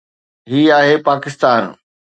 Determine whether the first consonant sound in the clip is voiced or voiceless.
voiced